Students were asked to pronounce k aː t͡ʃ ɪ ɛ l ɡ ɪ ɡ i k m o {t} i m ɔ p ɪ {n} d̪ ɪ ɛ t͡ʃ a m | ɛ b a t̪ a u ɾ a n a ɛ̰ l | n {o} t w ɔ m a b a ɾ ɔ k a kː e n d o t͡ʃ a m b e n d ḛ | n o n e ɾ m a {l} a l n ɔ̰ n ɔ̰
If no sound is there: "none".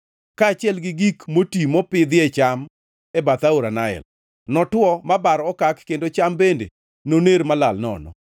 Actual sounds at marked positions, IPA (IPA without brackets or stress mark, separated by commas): t, none, ɔ, l